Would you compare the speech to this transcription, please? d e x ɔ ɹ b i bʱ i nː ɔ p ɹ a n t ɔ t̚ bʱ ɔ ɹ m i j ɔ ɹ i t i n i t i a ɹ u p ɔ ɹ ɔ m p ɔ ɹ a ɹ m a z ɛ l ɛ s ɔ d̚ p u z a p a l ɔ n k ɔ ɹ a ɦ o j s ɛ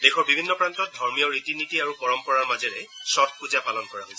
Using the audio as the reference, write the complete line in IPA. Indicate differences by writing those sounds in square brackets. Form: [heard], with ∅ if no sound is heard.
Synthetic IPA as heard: d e x ɔ ɹ b i bʱ i nː ɔ p ɹ a n t ɔ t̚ [dʱ] ɔ ɹ m i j ɔ ɹ i t i n i t i a ɹ u p ɔ ɹ ɔ m p ɔ ɹ a ɹ m a z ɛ [ɹ] ɛ s ɔ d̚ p u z a p a l ɔ n k ɔ ɹ a ɦ o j s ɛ